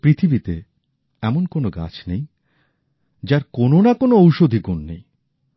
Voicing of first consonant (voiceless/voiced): voiceless